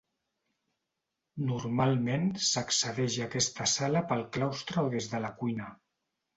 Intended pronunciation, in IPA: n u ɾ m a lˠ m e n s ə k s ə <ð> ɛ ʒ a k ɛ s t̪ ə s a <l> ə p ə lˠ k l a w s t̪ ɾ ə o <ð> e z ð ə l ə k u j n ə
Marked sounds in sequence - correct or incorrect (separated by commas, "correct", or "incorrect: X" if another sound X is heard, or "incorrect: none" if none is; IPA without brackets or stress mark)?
correct, correct, correct